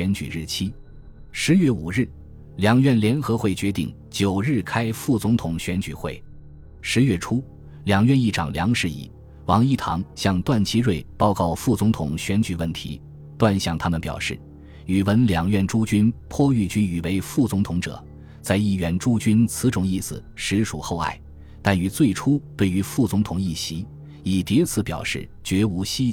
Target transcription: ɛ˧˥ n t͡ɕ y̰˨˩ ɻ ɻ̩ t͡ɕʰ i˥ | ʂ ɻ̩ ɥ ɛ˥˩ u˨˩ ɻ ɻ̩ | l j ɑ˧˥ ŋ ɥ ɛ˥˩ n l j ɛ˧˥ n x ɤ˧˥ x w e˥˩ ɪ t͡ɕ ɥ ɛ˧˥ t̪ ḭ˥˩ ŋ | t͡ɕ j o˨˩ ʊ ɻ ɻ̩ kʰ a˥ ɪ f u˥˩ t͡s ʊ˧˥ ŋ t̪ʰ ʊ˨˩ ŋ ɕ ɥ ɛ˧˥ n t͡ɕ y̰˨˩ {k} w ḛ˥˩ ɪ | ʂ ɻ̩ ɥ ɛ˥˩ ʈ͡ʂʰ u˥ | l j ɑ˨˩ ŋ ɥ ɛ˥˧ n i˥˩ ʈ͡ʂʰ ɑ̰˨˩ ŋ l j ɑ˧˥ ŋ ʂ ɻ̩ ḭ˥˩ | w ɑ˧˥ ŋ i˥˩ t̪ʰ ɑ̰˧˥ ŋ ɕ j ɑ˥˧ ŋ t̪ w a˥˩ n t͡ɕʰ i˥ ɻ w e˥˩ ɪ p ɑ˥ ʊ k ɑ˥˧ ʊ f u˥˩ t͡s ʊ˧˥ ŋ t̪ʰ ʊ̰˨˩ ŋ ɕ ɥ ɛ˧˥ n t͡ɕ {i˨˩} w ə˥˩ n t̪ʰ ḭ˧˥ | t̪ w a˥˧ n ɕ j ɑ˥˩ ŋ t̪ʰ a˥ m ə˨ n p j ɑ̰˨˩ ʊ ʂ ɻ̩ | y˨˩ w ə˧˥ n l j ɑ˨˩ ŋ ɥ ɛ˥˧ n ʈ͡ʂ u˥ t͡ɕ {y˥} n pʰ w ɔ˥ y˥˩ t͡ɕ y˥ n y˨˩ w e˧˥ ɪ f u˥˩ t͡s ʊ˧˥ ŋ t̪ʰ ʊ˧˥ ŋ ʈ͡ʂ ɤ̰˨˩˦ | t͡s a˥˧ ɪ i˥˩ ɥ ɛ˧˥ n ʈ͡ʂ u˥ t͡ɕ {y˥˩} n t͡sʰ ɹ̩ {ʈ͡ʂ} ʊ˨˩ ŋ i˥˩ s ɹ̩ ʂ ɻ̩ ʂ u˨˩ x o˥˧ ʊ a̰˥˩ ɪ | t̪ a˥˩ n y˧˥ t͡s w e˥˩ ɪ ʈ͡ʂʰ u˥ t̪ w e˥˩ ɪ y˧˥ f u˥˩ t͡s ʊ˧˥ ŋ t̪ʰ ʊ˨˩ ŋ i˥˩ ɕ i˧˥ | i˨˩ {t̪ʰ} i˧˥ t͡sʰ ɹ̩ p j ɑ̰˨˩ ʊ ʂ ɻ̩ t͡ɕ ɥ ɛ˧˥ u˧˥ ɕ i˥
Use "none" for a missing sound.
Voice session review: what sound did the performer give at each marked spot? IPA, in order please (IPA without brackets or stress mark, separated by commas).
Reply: x, y˨˩, y˥, y˥, ʈ͡ʂ, t̪